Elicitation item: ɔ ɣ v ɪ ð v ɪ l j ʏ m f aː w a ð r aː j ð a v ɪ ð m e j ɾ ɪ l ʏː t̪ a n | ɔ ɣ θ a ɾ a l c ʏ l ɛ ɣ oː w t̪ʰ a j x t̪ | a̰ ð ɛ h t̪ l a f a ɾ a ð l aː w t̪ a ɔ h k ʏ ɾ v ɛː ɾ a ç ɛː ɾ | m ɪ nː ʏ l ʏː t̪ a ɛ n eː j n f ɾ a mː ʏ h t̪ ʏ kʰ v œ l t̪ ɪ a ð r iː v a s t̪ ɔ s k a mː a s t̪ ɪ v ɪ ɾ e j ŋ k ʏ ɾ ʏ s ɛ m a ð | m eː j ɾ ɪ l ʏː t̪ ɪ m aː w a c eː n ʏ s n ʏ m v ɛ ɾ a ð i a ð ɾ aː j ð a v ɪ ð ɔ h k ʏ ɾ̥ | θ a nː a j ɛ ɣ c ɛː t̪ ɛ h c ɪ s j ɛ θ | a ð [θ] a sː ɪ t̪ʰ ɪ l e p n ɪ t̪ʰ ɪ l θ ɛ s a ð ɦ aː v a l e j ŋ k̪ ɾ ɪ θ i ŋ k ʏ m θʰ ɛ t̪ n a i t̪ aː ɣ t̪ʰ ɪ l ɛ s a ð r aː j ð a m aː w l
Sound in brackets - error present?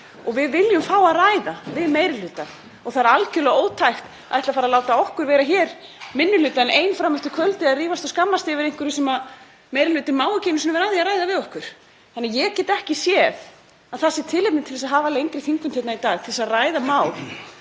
no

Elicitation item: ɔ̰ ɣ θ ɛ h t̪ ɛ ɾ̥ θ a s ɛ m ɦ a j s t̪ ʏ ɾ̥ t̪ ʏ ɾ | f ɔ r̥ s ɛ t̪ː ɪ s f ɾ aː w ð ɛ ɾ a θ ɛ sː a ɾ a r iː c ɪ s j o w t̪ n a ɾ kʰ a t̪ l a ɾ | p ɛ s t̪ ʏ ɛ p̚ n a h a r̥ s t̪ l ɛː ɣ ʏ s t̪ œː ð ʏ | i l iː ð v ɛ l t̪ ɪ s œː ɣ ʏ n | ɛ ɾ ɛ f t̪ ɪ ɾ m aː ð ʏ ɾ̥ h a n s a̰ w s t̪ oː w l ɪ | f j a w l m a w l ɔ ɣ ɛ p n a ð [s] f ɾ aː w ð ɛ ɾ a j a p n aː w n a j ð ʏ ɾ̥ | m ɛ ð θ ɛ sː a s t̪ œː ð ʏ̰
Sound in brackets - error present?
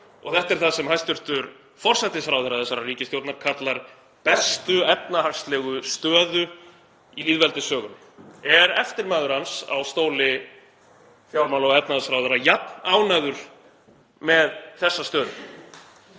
no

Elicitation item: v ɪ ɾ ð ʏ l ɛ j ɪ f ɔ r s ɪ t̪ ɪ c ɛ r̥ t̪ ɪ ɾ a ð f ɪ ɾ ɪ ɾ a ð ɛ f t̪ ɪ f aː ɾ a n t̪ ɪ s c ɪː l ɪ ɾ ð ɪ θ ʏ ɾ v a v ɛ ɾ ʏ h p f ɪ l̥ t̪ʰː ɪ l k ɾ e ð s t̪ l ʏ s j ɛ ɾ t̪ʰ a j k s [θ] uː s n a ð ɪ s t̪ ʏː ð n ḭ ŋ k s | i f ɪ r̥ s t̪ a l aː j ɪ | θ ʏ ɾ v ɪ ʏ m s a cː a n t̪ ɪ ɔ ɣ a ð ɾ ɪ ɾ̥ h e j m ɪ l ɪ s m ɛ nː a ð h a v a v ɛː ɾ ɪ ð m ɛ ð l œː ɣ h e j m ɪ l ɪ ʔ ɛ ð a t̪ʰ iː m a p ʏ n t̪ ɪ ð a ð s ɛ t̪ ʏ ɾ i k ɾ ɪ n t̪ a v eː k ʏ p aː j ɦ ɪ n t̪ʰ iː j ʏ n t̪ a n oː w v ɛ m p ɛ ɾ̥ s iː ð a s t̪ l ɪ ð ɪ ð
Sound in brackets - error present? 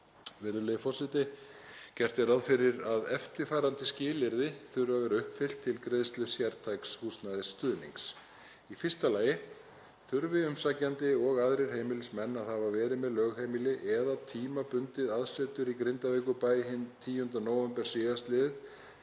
yes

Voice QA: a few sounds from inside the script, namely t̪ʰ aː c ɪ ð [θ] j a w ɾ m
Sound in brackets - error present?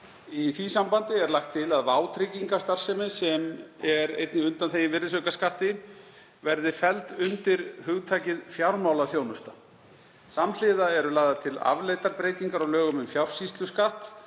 yes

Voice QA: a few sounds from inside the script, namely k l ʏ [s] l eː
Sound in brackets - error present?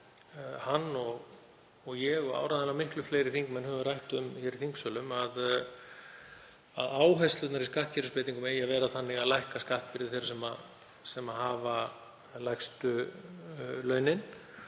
yes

